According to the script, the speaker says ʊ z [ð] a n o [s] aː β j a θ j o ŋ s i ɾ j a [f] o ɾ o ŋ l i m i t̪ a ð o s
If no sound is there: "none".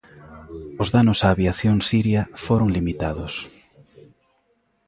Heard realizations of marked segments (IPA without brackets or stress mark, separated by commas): ð, s, f